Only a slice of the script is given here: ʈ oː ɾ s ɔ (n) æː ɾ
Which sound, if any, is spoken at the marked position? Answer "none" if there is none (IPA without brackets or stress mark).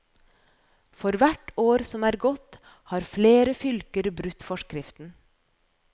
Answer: m